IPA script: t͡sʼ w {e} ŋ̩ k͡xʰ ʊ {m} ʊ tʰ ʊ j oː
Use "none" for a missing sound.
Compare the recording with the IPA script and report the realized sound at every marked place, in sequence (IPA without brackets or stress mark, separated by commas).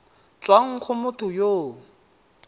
a, m